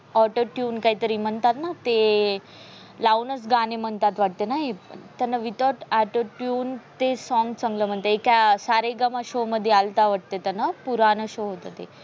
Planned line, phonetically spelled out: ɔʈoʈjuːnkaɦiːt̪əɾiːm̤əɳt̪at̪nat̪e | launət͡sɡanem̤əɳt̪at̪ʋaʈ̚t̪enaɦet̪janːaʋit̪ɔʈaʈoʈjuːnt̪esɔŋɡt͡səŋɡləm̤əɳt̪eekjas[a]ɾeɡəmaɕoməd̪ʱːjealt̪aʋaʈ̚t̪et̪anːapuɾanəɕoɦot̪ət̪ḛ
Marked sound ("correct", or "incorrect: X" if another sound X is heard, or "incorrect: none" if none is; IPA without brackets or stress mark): correct